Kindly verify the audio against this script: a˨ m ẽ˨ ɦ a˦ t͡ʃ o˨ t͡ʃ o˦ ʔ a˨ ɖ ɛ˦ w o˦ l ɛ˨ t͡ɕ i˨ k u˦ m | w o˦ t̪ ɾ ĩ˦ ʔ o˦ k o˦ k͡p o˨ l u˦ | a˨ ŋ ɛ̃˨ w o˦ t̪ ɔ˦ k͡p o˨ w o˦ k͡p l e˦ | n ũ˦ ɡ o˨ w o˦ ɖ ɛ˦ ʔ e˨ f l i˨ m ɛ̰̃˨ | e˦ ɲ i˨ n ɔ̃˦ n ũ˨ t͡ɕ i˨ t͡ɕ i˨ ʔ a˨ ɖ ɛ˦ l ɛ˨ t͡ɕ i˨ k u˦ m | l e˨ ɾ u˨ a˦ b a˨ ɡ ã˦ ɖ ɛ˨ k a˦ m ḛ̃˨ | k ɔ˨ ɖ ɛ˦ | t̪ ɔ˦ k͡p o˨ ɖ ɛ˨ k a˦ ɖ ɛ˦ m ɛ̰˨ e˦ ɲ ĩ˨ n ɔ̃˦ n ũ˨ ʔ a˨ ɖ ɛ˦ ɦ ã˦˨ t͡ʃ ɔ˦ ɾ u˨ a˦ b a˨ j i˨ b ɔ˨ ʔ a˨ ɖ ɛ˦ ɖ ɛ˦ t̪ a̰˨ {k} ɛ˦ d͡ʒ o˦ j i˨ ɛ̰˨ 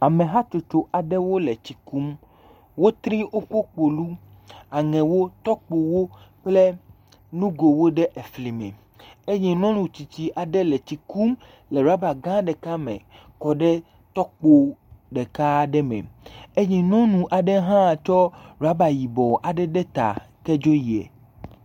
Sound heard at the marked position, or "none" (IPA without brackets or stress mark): k